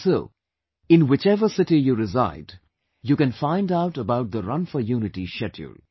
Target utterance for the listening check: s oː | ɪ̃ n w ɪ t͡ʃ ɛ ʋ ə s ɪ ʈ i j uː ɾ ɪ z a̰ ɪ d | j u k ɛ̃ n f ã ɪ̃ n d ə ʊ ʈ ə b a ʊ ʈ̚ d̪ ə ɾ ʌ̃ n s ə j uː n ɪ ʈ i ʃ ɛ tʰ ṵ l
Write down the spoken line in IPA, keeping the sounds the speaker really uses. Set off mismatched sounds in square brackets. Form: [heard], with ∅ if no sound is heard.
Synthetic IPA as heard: s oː | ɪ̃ n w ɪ t͡ʃ ɛ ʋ ə s ɪ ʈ i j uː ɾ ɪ z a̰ ɪ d | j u k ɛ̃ n f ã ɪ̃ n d [a] ʊ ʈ ə b a ʊ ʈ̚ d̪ ə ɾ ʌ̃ n [f] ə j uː n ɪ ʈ i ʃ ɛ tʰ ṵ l